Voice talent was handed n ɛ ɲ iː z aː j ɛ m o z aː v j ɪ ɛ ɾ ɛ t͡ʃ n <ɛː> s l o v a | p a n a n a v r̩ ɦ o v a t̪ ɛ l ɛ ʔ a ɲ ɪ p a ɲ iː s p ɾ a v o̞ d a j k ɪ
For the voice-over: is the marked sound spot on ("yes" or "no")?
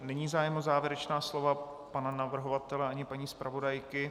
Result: no